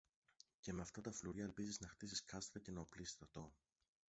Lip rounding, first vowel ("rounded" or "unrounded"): unrounded